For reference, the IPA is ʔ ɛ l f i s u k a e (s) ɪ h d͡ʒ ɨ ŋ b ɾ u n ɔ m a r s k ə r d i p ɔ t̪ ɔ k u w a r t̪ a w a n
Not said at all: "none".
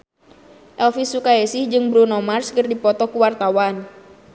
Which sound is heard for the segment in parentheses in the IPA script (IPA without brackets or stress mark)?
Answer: s